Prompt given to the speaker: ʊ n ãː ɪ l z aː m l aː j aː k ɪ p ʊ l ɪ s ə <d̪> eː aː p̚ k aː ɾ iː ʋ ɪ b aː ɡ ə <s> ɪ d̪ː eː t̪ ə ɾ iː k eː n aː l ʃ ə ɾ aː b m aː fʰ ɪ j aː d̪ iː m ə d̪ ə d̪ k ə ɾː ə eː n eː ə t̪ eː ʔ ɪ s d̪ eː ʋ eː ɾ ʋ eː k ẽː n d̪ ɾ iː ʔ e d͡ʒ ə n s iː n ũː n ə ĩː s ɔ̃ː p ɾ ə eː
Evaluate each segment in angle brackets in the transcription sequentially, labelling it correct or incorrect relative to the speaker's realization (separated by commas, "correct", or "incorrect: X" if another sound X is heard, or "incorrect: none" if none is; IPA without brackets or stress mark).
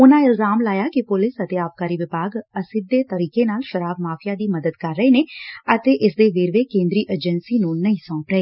incorrect: t̪, correct